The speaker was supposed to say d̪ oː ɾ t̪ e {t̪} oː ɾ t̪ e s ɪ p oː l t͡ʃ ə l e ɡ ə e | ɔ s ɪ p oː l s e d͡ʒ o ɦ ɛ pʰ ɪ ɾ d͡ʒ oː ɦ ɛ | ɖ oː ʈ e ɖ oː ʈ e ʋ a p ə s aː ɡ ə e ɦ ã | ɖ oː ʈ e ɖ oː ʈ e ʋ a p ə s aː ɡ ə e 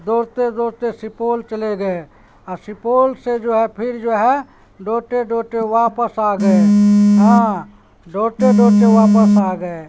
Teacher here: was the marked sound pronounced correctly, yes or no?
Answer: no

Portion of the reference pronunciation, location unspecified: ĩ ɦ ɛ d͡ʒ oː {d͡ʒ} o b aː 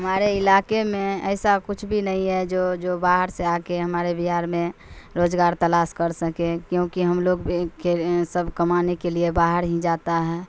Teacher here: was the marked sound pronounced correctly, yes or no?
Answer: yes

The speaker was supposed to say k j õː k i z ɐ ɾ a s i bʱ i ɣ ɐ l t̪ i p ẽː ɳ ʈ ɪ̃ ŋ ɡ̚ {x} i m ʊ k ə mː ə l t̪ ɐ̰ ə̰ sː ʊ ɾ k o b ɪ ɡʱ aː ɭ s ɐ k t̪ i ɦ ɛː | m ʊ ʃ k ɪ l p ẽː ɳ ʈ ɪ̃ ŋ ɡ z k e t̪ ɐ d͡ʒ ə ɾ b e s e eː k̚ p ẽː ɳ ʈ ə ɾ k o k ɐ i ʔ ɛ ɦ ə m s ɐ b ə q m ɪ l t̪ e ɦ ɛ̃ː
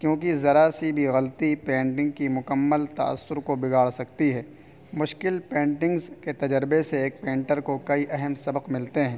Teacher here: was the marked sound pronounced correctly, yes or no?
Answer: no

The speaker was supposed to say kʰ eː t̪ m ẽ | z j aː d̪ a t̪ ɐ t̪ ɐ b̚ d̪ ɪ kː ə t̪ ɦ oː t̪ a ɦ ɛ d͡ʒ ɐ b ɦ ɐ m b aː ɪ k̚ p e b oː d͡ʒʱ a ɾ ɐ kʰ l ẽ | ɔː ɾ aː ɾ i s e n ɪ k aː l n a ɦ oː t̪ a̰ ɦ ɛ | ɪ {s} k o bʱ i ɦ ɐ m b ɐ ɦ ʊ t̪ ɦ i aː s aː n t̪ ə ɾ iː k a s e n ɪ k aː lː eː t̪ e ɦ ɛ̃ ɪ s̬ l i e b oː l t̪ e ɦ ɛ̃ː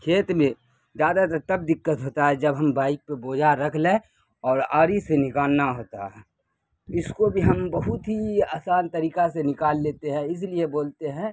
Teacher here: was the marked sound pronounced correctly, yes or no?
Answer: yes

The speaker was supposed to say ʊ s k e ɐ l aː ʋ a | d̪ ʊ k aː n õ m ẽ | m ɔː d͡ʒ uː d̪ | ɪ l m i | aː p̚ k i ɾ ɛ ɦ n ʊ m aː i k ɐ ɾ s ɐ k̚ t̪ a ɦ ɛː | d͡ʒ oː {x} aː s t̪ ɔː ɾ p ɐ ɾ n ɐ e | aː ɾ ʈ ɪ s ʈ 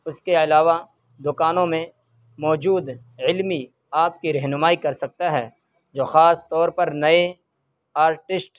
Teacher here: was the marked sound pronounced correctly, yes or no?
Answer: yes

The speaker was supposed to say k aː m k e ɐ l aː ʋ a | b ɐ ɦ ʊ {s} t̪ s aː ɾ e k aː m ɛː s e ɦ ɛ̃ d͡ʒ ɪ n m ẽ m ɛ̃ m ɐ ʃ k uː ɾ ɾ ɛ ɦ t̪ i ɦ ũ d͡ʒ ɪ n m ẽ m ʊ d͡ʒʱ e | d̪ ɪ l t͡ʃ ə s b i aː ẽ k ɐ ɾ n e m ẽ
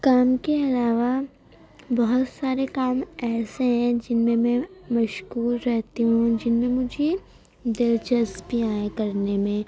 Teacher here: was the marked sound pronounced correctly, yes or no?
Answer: no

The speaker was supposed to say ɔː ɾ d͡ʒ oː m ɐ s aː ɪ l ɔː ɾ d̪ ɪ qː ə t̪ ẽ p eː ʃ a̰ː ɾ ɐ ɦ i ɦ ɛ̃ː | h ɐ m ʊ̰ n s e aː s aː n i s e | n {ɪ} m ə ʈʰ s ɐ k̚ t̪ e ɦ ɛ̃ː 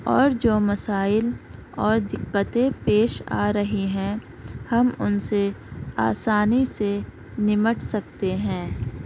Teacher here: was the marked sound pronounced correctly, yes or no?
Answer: yes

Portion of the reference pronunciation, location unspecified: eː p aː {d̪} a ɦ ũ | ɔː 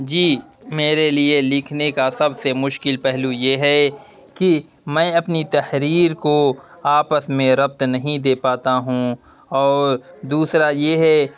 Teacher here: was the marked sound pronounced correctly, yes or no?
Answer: no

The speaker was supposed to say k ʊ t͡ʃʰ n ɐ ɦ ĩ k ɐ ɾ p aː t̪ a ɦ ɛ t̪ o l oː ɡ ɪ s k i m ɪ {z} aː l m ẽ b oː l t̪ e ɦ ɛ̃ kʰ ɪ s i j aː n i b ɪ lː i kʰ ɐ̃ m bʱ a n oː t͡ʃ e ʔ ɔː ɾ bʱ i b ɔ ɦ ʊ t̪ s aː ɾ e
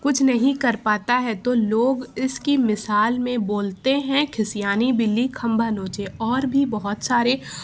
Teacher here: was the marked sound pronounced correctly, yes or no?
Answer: no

